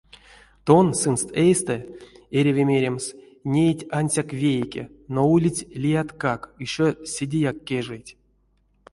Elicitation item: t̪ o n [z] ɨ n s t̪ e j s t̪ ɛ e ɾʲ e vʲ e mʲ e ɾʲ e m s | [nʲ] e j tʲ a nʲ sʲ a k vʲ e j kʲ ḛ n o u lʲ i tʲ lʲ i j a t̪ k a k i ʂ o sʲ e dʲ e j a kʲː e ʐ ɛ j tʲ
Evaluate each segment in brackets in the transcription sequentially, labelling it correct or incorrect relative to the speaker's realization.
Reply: incorrect, correct

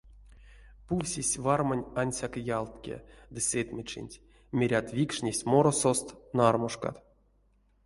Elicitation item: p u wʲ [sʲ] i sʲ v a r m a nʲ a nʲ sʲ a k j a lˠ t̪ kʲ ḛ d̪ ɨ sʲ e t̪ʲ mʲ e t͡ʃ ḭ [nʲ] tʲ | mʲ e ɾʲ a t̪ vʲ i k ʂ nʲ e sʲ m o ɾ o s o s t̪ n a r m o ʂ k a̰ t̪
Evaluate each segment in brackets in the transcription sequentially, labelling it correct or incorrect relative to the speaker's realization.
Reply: correct, correct

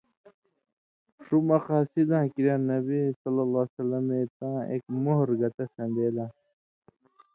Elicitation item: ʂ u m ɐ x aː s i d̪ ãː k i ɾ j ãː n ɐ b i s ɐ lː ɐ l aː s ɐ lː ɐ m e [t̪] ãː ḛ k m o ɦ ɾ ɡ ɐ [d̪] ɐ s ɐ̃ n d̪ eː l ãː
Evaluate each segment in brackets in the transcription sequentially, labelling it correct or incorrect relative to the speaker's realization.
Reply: correct, incorrect

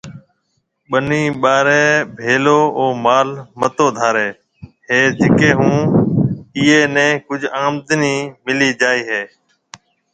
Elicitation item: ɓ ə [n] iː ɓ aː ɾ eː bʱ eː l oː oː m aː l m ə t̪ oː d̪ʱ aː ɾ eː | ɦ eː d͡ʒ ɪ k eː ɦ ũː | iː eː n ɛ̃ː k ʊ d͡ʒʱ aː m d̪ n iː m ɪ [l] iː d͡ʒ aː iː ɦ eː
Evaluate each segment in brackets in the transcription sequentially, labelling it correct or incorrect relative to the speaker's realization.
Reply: correct, correct

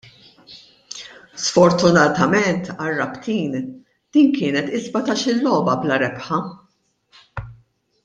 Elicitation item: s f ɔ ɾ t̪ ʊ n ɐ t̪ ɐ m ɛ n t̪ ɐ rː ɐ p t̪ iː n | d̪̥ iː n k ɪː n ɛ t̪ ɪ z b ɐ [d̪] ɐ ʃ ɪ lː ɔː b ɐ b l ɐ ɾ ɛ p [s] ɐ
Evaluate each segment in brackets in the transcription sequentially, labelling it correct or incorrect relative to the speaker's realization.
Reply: incorrect, incorrect

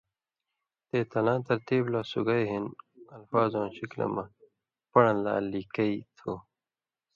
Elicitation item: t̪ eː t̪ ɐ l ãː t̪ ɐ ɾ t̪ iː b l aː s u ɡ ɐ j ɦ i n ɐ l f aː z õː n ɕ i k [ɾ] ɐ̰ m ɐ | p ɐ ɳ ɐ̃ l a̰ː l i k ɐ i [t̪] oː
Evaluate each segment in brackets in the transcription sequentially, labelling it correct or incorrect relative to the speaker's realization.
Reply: incorrect, incorrect

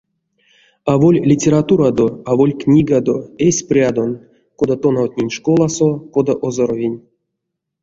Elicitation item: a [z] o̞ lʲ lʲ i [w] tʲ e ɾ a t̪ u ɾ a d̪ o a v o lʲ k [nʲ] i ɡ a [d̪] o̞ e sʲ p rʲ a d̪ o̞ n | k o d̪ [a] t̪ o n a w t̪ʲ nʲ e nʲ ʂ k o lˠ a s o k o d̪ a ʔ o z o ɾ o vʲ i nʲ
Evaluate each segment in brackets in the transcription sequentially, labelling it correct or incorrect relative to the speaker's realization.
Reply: incorrect, incorrect, correct, correct, correct

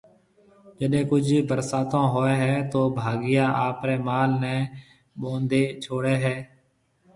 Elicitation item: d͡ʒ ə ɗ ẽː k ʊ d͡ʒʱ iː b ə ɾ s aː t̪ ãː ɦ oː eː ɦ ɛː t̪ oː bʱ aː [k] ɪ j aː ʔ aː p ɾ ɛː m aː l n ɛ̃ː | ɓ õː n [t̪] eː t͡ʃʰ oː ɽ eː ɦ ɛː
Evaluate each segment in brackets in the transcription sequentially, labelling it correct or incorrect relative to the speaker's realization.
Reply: incorrect, incorrect

